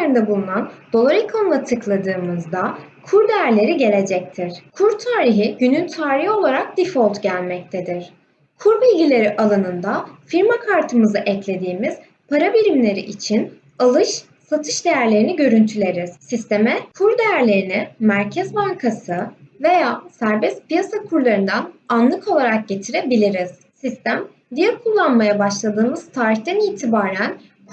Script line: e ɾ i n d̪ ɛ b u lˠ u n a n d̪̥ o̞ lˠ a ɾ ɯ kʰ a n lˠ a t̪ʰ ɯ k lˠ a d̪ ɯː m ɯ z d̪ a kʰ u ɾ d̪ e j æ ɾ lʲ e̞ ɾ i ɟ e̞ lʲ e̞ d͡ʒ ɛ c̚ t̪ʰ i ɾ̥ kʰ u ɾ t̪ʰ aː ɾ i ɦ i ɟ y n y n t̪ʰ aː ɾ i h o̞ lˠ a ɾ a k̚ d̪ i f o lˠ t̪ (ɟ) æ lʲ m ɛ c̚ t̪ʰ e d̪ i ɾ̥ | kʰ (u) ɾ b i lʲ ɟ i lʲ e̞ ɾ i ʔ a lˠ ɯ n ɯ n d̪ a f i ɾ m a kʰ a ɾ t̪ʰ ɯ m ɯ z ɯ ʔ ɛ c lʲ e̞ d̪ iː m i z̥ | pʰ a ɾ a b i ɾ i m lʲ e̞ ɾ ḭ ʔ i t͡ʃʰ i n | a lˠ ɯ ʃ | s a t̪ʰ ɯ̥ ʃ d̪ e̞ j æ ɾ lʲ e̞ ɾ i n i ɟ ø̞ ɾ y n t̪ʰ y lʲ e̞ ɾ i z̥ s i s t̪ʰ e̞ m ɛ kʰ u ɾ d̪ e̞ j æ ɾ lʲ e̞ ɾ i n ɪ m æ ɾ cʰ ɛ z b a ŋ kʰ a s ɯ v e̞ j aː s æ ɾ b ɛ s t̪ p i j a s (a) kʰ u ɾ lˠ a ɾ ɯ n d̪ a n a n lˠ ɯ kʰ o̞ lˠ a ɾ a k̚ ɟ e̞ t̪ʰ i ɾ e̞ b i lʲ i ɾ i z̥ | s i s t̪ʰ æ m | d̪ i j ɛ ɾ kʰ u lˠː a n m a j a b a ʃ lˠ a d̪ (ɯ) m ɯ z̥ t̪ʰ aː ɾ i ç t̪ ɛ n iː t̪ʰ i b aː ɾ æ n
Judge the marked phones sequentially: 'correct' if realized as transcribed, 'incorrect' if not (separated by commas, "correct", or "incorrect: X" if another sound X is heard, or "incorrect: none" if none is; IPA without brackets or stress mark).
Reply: correct, correct, correct, incorrect: ɯː